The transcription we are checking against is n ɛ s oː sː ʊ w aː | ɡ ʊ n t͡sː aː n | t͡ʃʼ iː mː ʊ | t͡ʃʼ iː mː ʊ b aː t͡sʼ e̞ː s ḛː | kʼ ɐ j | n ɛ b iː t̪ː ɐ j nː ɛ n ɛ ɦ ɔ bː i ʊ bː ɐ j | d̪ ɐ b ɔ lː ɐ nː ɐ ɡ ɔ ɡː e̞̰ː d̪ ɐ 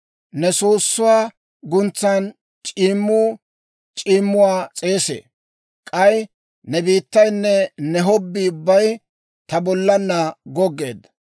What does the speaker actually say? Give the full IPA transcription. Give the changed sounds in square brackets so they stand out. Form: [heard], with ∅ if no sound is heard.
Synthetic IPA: n ɛ s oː sː ʊ w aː | ɡ ʊ n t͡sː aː n | t͡ʃʼ iː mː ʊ | t͡ʃʼ iː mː ʊ [w] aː t͡sʼ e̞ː s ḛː | kʼ ɐ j | n ɛ b iː t̪ː ɐ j nː ɛ n ɛ ɦ ɔ bː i ʊ bː ɐ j | [t̪] ɐ b ɔ lː ɐ nː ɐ ɡ ɔ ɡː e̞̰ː d̪ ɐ